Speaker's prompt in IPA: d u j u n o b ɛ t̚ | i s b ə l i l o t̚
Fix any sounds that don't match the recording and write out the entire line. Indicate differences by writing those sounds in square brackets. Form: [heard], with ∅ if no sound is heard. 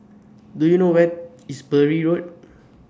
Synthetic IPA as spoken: d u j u n o [w] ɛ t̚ | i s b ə [ɹ] i [ɹ] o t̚